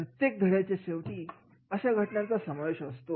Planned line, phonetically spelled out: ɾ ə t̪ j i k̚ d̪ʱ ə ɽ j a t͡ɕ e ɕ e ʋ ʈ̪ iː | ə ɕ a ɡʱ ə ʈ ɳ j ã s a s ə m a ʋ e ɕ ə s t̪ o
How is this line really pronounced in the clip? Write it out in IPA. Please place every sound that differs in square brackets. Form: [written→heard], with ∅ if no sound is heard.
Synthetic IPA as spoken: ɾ ə t̪ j [i→e] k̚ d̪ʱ ə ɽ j a t͡ɕ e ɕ e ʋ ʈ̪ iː | ə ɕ a ɡʱ ə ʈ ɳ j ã [s→t͡s] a s ə m a ʋ e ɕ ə s t̪ o